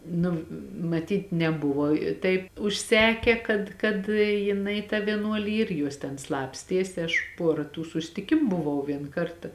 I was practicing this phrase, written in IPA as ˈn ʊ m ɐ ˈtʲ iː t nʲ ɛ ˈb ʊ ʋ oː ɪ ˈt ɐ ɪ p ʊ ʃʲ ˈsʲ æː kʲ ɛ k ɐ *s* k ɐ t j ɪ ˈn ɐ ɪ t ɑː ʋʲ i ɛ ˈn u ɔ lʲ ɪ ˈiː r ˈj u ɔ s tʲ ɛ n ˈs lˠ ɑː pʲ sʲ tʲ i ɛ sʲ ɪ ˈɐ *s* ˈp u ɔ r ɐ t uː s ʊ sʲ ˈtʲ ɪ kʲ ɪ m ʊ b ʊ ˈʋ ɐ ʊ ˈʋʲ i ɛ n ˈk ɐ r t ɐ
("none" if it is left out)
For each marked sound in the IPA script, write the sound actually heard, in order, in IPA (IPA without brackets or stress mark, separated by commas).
t, ʃ